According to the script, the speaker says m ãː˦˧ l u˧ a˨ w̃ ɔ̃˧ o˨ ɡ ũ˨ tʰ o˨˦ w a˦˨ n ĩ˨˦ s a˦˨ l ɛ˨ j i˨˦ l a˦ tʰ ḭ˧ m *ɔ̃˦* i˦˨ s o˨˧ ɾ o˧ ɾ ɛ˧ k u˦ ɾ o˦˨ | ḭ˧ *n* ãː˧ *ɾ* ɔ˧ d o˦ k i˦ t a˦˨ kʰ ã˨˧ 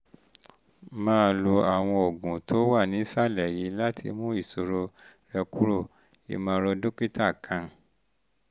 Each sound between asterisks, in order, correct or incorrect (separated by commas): incorrect, incorrect, correct